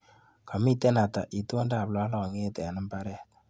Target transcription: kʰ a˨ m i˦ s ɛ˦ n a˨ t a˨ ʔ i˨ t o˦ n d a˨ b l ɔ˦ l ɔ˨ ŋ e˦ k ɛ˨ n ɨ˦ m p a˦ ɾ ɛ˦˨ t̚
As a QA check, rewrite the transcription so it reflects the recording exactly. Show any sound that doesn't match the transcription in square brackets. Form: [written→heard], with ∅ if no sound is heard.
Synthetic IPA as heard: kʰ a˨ m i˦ [s→t] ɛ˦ n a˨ t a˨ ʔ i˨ t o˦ n d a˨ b l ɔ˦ l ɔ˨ ŋ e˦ [k→t] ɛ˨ n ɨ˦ m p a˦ ɾ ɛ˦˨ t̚